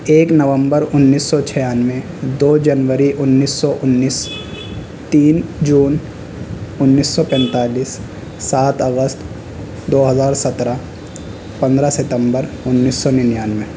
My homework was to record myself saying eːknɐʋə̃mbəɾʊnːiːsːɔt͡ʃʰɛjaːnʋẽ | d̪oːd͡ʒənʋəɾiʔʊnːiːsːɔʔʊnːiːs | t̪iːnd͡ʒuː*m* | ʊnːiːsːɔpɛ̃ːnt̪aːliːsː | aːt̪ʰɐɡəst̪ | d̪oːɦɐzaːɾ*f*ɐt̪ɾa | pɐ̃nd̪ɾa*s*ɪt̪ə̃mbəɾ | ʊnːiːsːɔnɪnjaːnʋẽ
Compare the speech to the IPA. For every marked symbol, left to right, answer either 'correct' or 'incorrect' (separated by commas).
incorrect, incorrect, correct